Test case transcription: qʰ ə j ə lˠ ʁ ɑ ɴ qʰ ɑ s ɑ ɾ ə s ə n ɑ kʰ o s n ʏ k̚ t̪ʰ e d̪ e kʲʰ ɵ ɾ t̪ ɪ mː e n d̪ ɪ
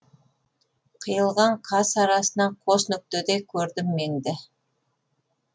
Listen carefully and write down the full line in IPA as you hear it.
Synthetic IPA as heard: qʰ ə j ə lˠ ʁ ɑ ɴ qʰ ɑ s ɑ ɾ ɑ s ə n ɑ qʰ o s n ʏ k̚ t̪ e d̪ e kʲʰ ɵ ɾ d̪ ɪ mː e n d̪ ɪ